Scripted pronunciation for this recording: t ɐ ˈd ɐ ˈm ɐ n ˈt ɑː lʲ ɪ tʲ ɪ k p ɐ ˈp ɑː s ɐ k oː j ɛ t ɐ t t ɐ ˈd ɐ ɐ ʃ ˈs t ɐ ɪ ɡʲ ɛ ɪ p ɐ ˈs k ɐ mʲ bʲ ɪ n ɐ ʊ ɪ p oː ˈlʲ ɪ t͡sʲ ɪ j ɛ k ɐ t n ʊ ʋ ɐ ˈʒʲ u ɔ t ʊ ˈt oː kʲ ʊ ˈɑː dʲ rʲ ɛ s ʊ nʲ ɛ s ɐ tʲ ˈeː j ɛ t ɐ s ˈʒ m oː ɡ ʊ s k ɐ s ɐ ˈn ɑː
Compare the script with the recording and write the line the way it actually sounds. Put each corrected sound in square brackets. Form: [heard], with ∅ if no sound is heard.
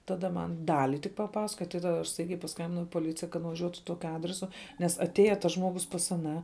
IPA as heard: t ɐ ˈd ɐ ˈm ɐ n [ˈd] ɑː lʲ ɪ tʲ ɪ k p ɐ ˈp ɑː s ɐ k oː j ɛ t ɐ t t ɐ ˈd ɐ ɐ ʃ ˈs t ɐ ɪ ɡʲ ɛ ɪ p ɐ ˈs k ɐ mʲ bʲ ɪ n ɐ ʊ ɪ p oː ˈlʲ ɪ t͡sʲ ɪ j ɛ k ɐ t n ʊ ʋ ɐ ˈʒʲ u ɔ t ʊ ˈt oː kʲ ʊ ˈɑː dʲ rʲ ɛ s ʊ nʲ ɛ s ɐ tʲ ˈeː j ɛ t ɐ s ˈʒ m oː ɡ ʊ s [p] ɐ s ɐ ˈn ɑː